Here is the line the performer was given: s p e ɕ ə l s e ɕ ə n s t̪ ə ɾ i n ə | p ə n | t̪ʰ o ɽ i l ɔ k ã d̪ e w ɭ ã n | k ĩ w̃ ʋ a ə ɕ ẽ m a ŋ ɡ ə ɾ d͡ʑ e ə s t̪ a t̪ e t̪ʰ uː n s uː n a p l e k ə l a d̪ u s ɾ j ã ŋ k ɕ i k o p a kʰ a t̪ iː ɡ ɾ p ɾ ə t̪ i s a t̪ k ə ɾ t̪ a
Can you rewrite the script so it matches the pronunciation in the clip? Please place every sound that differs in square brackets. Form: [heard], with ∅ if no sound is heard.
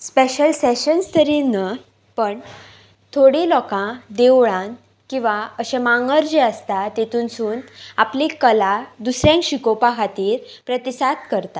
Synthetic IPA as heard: s p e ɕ ə l s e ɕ ə n s t̪ ə ɾ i n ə | p ə [ɳ] | t̪ʰ o ɽ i l ɔ k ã d̪ e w ɭ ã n | k ĩ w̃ ʋ a ə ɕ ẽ m a ŋ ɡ ə ɾ d͡ʑ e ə s t̪ a t̪ e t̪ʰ uː n s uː n a p l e k ə l a d̪ u s ɾ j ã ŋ k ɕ i k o p a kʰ a t̪ iː [∅] ɾ p ɾ ə t̪ i s a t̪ k ə ɾ t̪ a